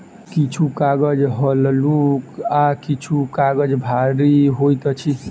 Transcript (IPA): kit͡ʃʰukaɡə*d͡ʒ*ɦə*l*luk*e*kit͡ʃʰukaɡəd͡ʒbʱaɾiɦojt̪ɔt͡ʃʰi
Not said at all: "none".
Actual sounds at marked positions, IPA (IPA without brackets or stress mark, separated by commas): d͡ʒ, l, a